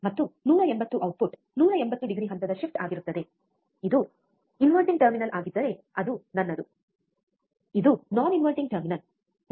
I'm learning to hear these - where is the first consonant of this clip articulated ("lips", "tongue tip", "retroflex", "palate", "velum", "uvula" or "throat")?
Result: lips